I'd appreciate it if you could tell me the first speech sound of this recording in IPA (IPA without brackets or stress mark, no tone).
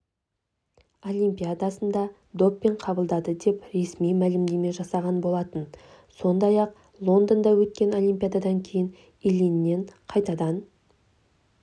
o̞